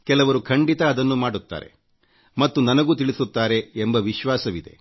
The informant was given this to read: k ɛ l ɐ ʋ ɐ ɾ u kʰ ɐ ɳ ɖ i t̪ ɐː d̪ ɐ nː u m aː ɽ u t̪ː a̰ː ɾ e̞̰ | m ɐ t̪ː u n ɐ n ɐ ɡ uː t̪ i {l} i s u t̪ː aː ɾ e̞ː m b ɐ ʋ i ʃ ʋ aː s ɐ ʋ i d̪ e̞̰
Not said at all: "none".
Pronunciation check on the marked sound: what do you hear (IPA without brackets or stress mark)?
ɭ